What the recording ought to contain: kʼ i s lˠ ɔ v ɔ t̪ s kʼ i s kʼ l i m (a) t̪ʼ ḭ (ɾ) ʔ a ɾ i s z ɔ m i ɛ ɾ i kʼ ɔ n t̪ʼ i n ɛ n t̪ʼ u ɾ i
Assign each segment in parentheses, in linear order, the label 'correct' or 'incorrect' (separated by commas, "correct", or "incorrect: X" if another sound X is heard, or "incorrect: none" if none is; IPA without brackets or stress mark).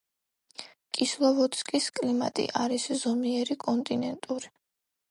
correct, incorrect: none